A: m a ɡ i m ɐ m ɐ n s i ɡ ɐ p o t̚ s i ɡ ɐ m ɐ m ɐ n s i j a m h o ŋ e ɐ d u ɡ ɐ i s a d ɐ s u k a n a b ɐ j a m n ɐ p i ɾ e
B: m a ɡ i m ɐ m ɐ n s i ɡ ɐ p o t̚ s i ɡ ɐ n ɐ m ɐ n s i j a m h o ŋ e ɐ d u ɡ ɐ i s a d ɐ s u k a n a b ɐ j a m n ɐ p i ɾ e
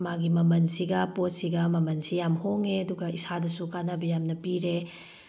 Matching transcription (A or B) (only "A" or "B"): A